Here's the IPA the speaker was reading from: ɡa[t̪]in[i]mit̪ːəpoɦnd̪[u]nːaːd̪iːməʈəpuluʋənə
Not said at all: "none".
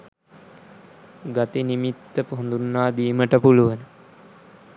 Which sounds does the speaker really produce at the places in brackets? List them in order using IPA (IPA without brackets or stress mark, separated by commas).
t̪, i, u